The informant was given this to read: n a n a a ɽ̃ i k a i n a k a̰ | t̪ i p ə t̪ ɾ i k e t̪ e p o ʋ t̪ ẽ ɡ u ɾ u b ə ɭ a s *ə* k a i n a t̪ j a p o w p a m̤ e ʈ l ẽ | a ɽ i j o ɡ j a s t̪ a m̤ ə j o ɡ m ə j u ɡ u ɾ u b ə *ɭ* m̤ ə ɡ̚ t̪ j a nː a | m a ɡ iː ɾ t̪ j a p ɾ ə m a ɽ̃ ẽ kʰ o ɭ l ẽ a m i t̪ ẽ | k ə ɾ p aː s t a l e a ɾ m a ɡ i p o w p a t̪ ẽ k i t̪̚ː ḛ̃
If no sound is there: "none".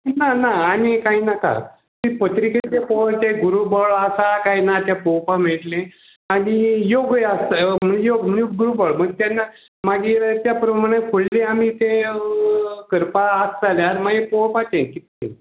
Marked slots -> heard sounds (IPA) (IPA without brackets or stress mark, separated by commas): a, ɭ